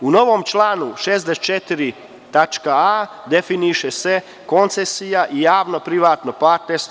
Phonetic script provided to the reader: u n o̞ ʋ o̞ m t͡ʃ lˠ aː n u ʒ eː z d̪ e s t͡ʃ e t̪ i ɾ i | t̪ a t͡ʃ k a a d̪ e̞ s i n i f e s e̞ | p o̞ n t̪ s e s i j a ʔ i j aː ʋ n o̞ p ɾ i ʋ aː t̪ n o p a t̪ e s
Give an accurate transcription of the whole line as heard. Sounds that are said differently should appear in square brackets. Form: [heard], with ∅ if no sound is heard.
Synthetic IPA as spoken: u n o̞ ʋ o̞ m t͡ʃ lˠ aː n u [ʃ] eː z d̪ e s t͡ʃ e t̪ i ɾ i | t̪ a t͡ʃ k a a d̪ e̞ [f] i n i [ʃ] e s e̞ | [k] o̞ n t̪ s e s i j a ʔ i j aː ʋ n o̞ p ɾ i ʋ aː t̪ n o p a t̪ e s